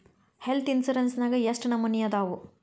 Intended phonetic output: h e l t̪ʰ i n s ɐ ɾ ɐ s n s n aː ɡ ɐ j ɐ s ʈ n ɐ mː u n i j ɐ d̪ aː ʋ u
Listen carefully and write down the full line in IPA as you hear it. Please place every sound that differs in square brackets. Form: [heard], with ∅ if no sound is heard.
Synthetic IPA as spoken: h e l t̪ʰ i n s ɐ ɾ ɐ [∅] n s n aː ɡ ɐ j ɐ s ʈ n ɐ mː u n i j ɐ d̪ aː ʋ u